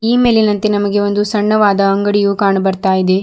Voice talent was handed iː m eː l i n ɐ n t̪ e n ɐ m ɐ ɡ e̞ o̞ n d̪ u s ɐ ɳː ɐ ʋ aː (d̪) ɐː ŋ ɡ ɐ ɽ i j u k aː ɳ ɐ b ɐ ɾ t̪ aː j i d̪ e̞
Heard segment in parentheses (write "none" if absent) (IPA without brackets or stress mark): d̪